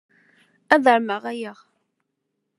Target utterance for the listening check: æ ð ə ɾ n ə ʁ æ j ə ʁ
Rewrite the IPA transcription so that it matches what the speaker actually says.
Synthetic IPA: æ ð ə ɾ m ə ʁ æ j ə ʁ